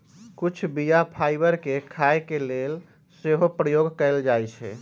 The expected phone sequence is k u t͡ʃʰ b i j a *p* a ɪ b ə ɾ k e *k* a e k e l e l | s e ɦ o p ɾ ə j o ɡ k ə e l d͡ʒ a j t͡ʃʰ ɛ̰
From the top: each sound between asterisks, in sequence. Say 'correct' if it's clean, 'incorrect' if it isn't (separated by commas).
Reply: incorrect, incorrect